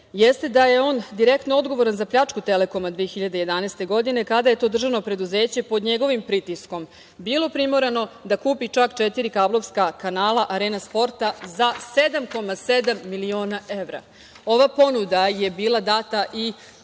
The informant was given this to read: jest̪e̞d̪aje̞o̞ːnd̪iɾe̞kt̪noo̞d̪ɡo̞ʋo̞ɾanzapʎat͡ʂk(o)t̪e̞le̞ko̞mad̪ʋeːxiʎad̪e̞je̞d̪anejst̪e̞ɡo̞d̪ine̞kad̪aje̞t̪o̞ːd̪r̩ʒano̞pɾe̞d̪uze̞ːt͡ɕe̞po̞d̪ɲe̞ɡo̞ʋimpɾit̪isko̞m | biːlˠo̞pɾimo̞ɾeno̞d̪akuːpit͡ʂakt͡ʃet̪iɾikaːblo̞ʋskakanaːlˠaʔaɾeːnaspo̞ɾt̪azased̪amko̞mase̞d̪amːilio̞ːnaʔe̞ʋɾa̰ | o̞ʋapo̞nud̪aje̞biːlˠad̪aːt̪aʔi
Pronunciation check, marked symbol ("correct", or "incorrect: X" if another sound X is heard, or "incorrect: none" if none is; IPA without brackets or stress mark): incorrect: u